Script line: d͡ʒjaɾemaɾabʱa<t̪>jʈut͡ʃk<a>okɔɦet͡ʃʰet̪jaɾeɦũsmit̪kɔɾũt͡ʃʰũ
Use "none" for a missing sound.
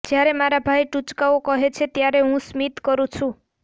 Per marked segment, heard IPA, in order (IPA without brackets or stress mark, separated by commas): none, a